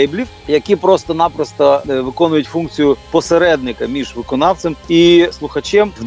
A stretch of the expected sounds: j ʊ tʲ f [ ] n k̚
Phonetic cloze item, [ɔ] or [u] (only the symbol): u